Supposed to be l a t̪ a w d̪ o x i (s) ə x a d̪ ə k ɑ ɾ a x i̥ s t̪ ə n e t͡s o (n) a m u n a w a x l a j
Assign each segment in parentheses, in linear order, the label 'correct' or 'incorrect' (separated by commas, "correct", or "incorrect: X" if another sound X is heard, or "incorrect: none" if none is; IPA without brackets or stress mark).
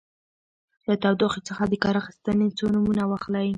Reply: incorrect: t͡s, correct